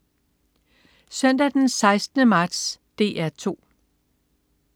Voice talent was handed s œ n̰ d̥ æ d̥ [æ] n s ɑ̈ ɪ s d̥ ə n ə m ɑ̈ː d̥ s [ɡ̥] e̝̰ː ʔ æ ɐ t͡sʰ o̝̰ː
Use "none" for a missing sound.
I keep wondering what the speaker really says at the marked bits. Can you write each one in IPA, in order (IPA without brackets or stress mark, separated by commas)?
e, d̥